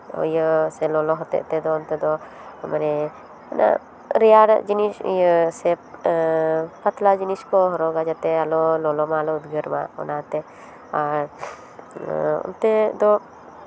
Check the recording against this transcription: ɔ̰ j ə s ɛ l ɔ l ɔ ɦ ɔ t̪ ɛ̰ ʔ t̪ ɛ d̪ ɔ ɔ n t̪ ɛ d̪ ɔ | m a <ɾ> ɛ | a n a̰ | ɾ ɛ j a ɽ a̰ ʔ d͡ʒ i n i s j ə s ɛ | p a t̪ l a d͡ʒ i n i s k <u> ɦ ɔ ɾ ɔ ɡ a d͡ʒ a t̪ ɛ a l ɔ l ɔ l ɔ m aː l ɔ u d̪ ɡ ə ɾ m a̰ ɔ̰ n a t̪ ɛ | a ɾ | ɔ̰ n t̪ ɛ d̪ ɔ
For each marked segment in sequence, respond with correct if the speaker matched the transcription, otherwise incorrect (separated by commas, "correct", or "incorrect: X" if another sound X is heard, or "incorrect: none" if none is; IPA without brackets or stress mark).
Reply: correct, incorrect: ɔ